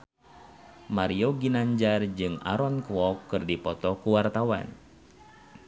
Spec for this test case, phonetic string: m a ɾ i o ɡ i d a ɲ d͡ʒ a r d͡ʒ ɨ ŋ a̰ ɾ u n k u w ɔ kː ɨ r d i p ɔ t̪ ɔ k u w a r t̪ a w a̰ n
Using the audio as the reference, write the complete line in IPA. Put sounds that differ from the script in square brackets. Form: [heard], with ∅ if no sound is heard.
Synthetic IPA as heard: m a ɾ i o ɡ i [n] a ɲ d͡ʒ a r d͡ʒ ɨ ŋ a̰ ɾ [ɔ] n k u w ɔ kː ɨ r d i p ɔ t̪ ɔ k u w a r t̪ a w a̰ n